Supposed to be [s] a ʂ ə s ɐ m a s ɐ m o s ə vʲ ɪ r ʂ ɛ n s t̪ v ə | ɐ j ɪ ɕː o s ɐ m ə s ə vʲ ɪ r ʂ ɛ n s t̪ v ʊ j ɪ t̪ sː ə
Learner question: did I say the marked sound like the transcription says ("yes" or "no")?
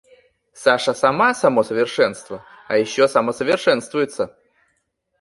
yes